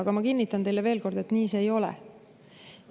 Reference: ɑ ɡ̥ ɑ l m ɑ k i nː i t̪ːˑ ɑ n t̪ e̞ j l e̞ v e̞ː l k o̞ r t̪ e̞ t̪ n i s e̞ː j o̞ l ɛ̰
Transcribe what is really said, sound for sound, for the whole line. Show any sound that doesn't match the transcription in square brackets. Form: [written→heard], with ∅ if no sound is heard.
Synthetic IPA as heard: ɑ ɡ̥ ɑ [l→∅] m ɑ k i nː i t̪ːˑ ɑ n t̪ e̞ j l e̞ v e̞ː l k o̞ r [t̪→d̪] e̞ t̪ n [i→iː] s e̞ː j o̞ l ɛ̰